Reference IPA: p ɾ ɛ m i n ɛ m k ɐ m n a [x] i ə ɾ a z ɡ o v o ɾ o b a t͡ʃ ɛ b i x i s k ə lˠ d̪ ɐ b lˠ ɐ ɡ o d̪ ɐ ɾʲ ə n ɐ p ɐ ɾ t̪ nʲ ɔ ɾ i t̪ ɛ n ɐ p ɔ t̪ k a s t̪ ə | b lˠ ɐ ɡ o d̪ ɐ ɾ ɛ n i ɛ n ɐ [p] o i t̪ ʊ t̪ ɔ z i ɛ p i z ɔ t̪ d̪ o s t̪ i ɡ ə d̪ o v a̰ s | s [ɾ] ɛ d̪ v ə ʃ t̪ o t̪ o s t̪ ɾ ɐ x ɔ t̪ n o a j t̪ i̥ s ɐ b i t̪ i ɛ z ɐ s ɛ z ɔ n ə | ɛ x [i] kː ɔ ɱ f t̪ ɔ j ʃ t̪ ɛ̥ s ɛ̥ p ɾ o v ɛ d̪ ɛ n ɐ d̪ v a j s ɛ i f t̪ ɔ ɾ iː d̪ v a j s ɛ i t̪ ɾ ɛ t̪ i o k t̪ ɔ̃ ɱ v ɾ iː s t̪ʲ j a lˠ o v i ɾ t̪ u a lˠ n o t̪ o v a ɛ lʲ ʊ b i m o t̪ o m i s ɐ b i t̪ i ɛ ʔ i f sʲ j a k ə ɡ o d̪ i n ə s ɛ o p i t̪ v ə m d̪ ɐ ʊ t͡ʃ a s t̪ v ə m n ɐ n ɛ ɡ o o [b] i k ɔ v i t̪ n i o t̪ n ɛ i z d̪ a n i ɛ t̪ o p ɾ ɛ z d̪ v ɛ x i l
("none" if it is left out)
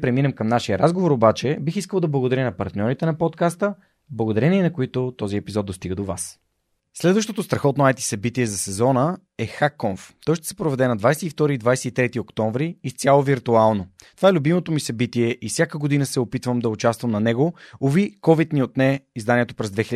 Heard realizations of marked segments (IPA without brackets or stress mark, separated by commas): ʃ, k, l, a, v